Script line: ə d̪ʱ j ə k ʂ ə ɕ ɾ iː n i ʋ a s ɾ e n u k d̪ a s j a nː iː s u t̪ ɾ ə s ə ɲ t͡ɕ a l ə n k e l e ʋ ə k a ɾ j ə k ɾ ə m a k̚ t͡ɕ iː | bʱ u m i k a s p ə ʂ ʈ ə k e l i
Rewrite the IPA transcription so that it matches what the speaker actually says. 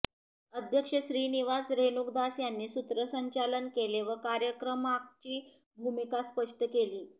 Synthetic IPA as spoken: ə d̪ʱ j ə k ʂ ə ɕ ɾ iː n i ʋ a s ɾ e n u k d̪ a s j a nː iː s u t̪ ɾ ə s ə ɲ t͡ɕ a l ə n k e l e ʋ ə k a ɾ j ə k ɾ ə m a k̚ t͡ɕ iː | bʱ u m i k a s p ə ʂ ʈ ə k e l iː